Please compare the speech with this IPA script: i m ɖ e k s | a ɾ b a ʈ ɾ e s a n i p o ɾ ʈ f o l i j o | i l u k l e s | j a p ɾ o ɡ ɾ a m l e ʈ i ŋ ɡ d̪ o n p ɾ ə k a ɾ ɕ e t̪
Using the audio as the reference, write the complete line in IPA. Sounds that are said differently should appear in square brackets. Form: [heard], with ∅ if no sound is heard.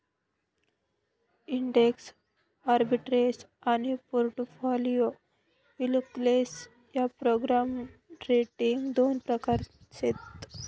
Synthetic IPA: i [ɳ] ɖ e k s | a ɾ b [i] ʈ ɾ e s a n i p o ɾ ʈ f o l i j o | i l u k l e s | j a p ɾ o ɡ ɾ a m [ɾ] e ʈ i ŋ ɡ d̪ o n p ɾ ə k a ɾ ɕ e t̪